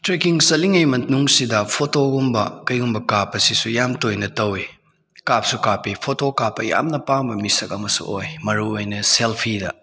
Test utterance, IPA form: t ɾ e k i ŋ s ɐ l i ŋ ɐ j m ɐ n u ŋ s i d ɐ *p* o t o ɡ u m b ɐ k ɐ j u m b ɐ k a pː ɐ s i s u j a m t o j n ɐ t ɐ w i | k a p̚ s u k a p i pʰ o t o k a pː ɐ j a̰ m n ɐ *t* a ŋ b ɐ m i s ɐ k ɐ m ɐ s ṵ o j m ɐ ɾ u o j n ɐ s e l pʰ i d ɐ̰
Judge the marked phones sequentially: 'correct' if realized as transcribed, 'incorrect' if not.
incorrect: pʰ, incorrect: p

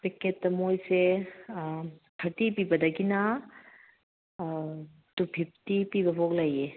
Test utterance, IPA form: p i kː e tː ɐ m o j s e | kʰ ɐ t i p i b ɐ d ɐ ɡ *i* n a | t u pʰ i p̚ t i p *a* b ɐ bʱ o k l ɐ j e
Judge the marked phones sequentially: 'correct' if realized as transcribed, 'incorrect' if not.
correct, incorrect: i

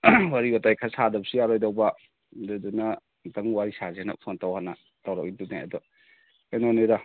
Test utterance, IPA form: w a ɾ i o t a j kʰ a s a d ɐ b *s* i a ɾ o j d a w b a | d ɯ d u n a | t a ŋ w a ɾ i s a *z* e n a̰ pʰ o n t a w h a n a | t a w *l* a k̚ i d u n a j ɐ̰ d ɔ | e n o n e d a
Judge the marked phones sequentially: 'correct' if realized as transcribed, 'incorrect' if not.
correct, correct, incorrect: ɾ

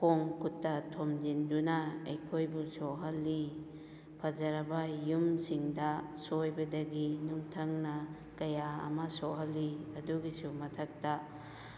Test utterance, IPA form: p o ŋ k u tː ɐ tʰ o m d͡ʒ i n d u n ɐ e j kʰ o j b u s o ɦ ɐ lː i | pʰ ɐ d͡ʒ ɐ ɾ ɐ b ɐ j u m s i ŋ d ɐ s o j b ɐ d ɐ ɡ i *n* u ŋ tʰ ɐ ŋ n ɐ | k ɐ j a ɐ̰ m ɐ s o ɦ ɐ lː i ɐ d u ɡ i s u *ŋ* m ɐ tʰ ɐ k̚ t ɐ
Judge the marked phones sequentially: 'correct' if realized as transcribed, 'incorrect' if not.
correct, incorrect: none

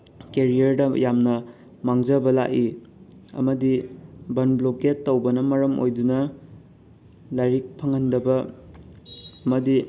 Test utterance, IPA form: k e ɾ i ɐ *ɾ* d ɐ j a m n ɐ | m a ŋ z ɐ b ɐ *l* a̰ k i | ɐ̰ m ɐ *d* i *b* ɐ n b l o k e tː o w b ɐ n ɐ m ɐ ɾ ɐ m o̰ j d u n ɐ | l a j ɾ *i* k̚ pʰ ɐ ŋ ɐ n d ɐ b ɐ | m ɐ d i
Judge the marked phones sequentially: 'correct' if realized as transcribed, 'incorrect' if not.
correct, correct, correct, correct, correct

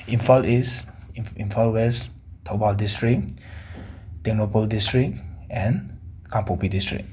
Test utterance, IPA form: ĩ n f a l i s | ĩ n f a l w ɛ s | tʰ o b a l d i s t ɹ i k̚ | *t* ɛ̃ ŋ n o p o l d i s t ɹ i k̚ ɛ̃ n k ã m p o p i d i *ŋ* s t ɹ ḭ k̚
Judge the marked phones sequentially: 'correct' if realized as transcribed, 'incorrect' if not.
correct, incorrect: none

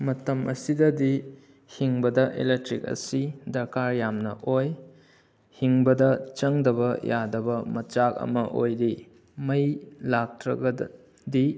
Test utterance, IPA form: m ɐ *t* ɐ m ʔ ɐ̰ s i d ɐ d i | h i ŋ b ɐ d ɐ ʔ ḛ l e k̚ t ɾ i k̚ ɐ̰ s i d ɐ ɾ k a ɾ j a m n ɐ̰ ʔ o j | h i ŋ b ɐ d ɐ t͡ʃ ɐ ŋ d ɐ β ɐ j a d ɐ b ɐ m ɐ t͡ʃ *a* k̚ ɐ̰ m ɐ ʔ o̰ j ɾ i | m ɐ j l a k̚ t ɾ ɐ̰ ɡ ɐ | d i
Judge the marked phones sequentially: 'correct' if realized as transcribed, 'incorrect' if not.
correct, correct

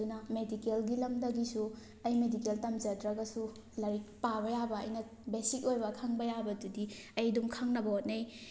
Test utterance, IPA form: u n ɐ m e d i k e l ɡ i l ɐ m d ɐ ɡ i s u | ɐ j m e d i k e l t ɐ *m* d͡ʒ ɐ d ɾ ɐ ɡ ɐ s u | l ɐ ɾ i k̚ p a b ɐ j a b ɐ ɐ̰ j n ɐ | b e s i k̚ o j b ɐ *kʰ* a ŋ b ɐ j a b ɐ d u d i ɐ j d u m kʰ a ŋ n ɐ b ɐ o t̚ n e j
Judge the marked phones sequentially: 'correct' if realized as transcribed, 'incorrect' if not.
correct, correct

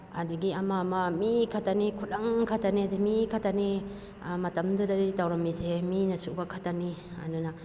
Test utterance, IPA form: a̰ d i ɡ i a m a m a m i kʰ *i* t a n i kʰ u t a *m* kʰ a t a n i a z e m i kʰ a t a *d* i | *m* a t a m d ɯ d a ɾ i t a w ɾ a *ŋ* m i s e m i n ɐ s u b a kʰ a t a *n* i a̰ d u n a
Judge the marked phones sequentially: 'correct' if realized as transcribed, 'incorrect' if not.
incorrect: a, incorrect: ŋ, incorrect: n, correct, incorrect: none, correct

